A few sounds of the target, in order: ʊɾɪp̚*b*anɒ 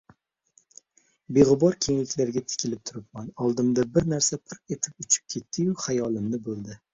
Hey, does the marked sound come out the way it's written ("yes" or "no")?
no